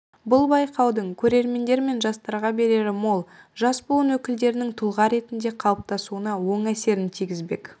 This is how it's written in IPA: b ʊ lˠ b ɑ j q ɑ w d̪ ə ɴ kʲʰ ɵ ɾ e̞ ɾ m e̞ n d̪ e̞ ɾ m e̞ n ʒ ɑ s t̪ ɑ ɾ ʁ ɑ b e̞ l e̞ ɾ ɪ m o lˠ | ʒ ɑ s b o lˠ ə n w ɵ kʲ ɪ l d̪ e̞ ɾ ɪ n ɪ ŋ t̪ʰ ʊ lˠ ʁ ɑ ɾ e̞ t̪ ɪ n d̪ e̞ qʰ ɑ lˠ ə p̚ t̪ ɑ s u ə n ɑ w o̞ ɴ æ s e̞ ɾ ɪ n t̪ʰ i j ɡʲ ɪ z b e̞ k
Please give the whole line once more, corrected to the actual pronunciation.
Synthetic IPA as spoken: b ʊ lˠ b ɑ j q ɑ w d̪ ə ɴ kʲʰ ɵ ɾ e̞ ɾ m e̞ n d̪ e̞ ɾ m e̞ n ʒ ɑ s t̪ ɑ ɾ ʁ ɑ b e̞ ɾ e̞ ɾ ɪ m o lˠ | ʒ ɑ s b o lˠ ə n w ɵ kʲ ɪ l d̪ e̞ ɾ ɪ n ɪ ŋ t̪ʰ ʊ lˠ ʁ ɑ ɾ e̞ t̪ ɪ n d̪ e̞ qʰ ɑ lˠ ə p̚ t̪ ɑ s u ə n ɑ w o̞ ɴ æ s e̞ ɾ ɪ n t̪ʰ i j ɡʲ ɪ z b e̞ k